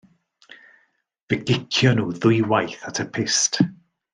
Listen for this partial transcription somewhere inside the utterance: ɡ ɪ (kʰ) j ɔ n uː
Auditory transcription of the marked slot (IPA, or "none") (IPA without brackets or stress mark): kʰ